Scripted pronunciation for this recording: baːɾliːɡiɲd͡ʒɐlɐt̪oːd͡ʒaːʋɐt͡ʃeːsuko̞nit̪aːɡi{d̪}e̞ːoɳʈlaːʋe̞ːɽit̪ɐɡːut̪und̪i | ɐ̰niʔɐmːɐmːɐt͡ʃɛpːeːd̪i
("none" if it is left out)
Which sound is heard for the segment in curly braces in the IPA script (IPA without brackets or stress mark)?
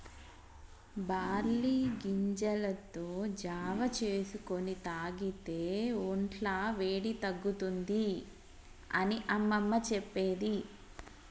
t̪